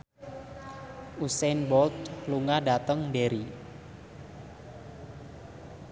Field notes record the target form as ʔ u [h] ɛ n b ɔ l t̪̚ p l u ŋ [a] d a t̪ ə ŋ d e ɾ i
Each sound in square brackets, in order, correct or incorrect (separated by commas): incorrect, correct